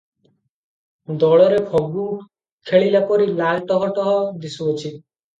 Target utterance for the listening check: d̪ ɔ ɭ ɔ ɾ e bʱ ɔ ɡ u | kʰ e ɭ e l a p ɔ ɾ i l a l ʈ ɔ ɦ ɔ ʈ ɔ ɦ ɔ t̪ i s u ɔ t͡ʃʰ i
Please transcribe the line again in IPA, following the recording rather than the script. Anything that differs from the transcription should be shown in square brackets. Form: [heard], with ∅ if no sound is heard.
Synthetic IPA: d̪ ɔ ɭ ɔ ɾ e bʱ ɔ ɡ u | kʰ e ɭ [i] l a p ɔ ɾ i l a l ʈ ɔ ɦ ɔ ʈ ɔ ɦ ɔ [d̪] i s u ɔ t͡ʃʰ i